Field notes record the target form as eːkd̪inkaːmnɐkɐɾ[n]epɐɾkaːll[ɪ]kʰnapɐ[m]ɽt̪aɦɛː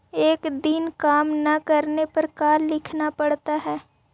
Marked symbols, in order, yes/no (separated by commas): yes, yes, no